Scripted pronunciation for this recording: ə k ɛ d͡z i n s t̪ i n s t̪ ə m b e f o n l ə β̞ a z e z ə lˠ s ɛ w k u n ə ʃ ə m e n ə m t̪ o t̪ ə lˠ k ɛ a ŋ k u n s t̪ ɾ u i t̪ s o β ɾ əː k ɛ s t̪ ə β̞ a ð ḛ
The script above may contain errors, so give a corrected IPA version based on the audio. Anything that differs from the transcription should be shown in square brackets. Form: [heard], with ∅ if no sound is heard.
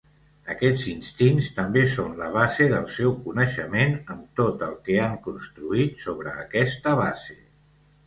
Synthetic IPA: ə k ɛ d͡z i n s t̪ i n s t̪ ə m b e [s] o n l ə β̞ a z e [ð] ə lˠ s ɛ w k u n ə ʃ ə m e n ə m t̪ o t̪ ə lˠ k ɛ a ŋ k u n s t̪ ɾ u i t̪ s o β ɾ əː k ɛ s t̪ ə β̞ a [z] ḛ